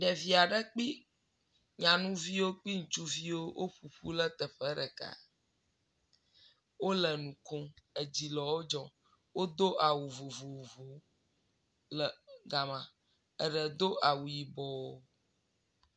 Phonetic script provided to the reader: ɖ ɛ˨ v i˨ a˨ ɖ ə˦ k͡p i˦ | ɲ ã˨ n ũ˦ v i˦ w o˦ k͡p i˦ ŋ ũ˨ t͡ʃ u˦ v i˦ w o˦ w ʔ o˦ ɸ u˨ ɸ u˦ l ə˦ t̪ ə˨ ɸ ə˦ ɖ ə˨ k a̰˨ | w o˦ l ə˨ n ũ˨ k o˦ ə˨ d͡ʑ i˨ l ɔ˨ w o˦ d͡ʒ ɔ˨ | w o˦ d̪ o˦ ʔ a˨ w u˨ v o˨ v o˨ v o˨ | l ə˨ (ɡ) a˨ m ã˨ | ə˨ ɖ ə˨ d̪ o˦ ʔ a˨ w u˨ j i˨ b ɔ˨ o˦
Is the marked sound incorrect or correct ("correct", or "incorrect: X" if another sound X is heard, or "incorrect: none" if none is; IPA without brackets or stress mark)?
correct